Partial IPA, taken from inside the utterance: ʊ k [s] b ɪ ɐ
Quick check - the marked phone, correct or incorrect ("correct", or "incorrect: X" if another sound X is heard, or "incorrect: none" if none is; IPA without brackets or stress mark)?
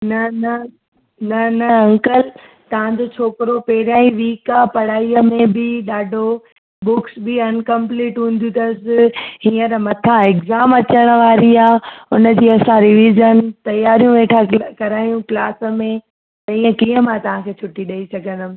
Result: correct